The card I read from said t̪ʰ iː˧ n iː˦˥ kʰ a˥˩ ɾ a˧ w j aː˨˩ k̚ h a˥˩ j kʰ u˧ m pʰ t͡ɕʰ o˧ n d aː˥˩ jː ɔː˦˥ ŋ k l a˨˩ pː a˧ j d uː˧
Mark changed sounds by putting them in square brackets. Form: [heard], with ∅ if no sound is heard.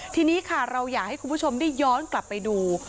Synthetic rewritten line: t̪ʰ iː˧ n iː˦˥ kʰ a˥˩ ɾ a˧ w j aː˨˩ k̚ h a˥˩ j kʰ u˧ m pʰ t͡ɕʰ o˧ [m] d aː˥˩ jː ɔː˦˥ [n] k l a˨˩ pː a˧ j d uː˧